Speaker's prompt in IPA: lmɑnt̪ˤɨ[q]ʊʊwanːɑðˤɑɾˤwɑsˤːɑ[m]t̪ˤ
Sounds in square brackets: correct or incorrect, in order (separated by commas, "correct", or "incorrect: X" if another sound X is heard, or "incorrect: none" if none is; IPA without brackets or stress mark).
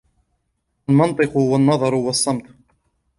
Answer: correct, correct